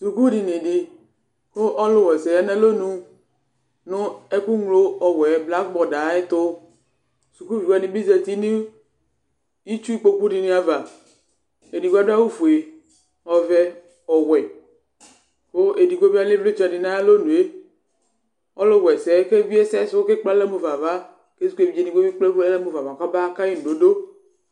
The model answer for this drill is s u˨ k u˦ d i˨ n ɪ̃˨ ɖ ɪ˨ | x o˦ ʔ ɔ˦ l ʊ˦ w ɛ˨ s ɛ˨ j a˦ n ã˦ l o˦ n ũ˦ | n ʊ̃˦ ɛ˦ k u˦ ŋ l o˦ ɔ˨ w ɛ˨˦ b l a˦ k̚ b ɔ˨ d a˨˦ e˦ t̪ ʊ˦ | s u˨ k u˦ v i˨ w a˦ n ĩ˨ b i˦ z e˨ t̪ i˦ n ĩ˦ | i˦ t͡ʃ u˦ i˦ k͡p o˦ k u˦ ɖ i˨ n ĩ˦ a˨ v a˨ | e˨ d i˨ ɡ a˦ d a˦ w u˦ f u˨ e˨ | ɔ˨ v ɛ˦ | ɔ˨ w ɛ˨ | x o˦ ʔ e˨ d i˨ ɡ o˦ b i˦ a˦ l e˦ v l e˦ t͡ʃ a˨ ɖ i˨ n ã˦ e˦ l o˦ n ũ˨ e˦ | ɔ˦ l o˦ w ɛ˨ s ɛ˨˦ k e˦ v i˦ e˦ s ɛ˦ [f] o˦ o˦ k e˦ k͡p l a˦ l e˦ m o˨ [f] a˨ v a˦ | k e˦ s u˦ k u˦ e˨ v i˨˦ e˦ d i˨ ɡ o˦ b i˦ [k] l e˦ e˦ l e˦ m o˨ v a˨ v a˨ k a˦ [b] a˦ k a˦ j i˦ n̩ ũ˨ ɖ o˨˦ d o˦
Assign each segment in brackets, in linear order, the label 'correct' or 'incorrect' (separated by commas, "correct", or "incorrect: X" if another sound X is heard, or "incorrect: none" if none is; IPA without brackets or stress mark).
incorrect: s, incorrect: v, incorrect: k͡p, correct